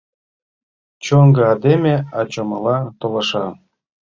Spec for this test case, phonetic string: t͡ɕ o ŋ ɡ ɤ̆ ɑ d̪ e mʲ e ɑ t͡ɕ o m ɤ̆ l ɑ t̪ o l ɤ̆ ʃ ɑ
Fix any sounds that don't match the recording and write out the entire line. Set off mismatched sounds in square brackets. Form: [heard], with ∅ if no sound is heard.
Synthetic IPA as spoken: t͡ɕ o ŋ ɡ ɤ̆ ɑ d̪ e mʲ e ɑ t͡ɕ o m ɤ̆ l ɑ t̪ o l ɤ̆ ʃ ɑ